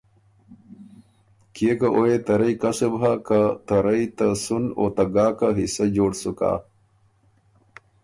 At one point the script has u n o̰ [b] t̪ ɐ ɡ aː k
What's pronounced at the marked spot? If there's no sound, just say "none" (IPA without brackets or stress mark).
none